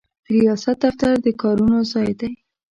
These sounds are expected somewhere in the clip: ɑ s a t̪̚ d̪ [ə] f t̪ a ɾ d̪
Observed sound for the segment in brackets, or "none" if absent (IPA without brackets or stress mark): a